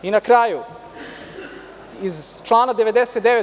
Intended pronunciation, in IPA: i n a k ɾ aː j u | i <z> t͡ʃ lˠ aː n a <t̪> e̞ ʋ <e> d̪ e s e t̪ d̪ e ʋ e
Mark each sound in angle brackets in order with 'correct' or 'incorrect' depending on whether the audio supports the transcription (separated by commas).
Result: correct, incorrect, correct